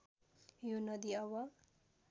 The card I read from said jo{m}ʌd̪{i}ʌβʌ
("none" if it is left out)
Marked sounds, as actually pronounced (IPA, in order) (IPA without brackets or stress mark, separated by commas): n, i